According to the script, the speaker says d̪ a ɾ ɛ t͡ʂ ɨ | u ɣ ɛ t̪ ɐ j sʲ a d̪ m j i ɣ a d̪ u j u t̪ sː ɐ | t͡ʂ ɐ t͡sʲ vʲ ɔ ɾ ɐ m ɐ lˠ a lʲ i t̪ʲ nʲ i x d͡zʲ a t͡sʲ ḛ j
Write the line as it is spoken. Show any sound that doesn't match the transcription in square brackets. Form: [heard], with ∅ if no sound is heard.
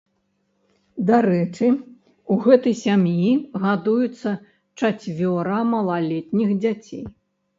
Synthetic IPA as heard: d̪ a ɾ ɛ t͡ʂ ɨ | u ɣ ɛ t̪ ɐ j sʲ a [∅] m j i ɣ a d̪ u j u t̪ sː ɐ | t͡ʂ [a] t͡sʲ vʲ ɔ ɾ ɐ m ɐ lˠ a lʲ [ɛ] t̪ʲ nʲ i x d͡zʲ a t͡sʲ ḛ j